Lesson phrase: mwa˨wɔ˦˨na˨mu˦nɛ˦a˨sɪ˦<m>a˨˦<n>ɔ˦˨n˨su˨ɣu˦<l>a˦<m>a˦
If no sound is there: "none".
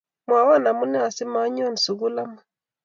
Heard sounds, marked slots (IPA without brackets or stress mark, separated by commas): m, ɲ, l, m